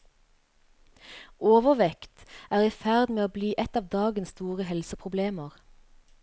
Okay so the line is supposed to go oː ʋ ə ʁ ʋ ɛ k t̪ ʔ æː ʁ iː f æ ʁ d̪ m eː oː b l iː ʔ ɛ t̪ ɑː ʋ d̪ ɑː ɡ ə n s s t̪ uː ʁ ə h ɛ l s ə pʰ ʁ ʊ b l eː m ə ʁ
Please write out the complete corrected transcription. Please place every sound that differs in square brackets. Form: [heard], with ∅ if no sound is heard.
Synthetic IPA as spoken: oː ʋ ə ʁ ʋ ɛ k t̪ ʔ æː ʁ iː f æ ʁ d̪ m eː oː b l iː ʔ ɛ t̪ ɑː ʋ d̪ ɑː ɡ ə n s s t̪ uː ʁ ə h ɛ l s ə pʰ ʁ ʊ b l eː m ə ʁ